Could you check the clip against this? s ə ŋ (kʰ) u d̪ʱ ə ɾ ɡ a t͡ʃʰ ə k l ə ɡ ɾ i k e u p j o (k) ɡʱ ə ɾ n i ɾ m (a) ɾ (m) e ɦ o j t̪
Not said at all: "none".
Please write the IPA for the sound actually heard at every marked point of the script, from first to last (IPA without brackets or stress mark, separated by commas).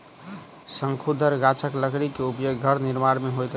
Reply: kʰ, ɡ, a, m